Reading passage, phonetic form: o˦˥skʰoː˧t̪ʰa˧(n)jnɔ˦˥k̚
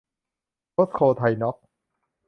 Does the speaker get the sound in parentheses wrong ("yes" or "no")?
yes